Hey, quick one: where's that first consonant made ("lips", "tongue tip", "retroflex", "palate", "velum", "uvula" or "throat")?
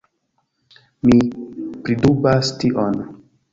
lips